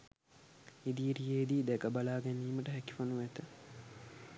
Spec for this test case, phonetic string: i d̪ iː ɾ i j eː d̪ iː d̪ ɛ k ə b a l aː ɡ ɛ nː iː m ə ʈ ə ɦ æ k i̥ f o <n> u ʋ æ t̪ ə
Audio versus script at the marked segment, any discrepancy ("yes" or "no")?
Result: no